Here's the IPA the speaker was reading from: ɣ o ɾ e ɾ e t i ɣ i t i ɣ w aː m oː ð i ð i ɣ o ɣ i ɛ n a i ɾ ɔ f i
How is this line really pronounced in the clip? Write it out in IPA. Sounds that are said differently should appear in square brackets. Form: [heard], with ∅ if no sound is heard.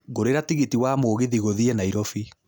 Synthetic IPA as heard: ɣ o ɾ e ɾ [a] t i ɣ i t i [∅] w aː m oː [ɣ] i ð i ɣ o [ð] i ɛ n a i ɾ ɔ f i